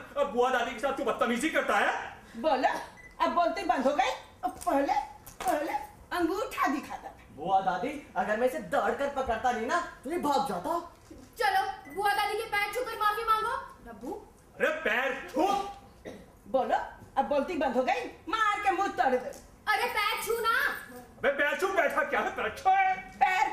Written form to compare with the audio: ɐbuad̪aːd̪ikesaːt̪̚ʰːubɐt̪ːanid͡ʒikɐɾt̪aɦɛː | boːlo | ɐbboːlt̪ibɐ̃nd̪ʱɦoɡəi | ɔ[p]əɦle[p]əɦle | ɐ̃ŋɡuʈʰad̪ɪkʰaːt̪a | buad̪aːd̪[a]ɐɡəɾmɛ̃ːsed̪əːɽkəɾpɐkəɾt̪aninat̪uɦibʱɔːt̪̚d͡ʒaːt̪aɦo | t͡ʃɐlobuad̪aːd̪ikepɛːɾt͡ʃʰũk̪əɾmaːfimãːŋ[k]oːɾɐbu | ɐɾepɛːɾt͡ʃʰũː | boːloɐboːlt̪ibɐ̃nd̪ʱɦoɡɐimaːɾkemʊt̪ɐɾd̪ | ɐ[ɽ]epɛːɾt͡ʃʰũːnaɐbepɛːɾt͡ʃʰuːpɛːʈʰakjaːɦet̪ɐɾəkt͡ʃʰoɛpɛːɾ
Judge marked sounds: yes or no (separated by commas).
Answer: yes, yes, no, no, no